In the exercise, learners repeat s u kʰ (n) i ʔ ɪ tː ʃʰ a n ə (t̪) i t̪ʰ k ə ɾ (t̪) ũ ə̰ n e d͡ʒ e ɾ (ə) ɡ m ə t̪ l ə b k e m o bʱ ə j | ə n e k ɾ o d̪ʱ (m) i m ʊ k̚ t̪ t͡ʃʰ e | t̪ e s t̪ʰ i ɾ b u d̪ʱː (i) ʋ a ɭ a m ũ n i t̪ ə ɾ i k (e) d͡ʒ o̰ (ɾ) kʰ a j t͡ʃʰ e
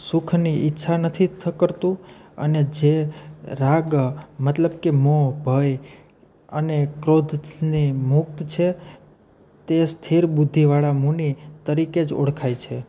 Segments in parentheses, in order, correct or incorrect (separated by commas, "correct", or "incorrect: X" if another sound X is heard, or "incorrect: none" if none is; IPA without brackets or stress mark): correct, incorrect: t̪ʰ, correct, incorrect: a, incorrect: n, correct, correct, incorrect: ɽ